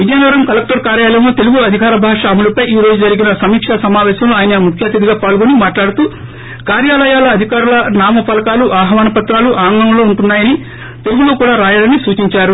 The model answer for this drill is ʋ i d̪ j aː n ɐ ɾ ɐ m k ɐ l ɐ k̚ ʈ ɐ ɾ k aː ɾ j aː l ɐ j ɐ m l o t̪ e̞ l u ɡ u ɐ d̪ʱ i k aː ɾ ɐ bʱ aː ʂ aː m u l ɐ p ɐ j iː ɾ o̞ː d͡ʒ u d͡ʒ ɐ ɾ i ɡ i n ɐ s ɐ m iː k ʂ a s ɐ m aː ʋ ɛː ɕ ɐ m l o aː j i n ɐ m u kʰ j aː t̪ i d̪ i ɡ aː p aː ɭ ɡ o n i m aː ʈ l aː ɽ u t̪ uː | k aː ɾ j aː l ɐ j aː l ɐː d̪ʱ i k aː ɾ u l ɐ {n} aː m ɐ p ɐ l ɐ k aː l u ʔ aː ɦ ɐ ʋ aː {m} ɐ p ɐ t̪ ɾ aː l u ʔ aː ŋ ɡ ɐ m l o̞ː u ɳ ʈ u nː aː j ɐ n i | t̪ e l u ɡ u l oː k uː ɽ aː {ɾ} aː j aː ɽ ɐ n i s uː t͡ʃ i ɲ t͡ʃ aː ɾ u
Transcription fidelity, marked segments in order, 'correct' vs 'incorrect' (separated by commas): correct, incorrect, correct